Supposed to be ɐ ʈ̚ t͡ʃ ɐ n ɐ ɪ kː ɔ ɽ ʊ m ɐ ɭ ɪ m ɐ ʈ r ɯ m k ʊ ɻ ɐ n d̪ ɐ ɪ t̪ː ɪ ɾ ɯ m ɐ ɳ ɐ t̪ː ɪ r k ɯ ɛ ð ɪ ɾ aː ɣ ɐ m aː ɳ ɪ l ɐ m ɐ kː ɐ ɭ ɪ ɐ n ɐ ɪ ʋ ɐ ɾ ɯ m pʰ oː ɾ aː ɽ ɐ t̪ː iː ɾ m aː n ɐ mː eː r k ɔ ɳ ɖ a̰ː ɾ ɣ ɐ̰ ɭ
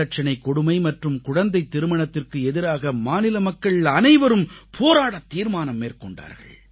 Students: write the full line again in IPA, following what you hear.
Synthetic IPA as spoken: ɐ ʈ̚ t͡ʃ ɐ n ɐ ɪ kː ɔ ɽ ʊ m ɐ ɪ m ɐ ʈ r ɯ m k ʊ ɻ ɐ n d̪ ɐ ɪ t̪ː ɪ ɾ ɯ m ɐ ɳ ɐ t̪ː ɪ r k ɯ ɛ ð ɪ ɾ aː ɣ ɐ m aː n ɪ l ɐ m ɐ kː ɐ ɭ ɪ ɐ n ɐ ɪ ʋ ɐ ɾ ɯ m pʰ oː ɾ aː ɽ ɐ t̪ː iː ɾ m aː n ɐ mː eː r k ɔ ɳ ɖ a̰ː ɾ ɣ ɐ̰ ɭ